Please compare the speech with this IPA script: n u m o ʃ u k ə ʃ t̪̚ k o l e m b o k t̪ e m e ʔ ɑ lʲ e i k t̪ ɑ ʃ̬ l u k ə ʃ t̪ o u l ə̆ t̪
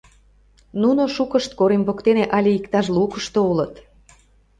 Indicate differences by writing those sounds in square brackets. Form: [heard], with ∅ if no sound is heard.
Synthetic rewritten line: n u [n] o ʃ u k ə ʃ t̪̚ k o [ɾ] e m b o k t̪ e [n] e ʔ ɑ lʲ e i k t̪ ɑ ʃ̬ l u k ə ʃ t̪ o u l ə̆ t̪